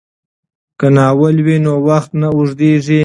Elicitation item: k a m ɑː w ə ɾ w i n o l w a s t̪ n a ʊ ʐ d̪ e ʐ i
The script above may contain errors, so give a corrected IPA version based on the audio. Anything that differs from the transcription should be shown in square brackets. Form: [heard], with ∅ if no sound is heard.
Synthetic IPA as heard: k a [n] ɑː w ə [l] w i n o [∅] w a [x] t̪ n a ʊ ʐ d̪ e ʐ i

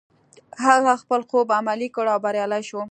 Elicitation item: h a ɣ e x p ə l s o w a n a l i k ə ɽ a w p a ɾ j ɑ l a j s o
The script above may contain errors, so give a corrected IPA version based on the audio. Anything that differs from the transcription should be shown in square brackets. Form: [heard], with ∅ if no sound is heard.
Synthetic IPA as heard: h a ɣ [a] x p ə l [x] o [b] a [m] a l i k ə ɽ a w [b] a ɾ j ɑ l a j [ʃ] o

